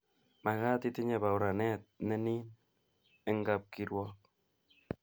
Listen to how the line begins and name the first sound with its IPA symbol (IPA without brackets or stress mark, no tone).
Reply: m